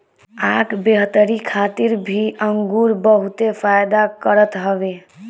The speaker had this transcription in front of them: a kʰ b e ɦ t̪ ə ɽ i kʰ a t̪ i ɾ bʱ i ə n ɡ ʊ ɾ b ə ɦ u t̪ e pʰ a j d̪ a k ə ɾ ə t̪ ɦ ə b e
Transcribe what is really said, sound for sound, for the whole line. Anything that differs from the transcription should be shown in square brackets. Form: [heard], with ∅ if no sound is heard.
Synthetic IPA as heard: a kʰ b e ɦ t̪ ə [ɾ] i kʰ a t̪ i ɾ bʱ i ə [ŋ] ɡ [u] ɾ b ə ɦ u t̪ e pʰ a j d̪ a k ə ɾ ə t̪ ɦ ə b e